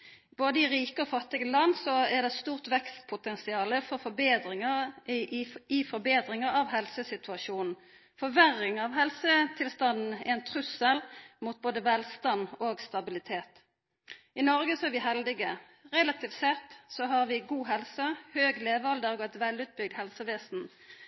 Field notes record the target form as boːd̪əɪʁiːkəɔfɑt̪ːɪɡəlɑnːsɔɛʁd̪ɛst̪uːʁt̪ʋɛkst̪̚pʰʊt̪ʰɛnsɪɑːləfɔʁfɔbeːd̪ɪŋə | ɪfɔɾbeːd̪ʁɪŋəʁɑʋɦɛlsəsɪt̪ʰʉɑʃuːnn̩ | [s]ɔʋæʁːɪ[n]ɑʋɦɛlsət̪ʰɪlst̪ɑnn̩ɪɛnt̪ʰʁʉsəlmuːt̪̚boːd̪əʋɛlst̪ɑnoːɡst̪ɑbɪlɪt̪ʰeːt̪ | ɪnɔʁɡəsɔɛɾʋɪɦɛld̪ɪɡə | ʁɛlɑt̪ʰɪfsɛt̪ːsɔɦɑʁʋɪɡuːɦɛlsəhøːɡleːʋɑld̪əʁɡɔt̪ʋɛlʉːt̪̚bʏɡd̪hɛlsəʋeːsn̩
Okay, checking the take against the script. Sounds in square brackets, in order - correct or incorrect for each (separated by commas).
incorrect, incorrect